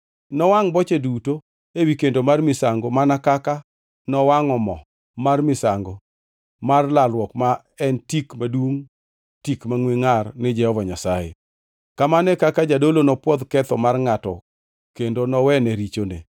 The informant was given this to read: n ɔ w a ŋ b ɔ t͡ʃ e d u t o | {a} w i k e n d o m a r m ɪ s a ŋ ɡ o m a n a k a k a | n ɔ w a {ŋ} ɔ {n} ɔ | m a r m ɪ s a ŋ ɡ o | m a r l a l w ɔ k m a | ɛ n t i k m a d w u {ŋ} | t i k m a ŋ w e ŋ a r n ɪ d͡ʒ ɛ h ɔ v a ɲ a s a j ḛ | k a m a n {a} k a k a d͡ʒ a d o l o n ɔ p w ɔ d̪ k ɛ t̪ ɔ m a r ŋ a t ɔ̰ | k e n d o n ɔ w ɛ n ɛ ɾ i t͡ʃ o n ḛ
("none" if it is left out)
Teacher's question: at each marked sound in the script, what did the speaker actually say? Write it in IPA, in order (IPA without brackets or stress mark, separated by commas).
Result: e, ŋ, m, ŋ, ɛ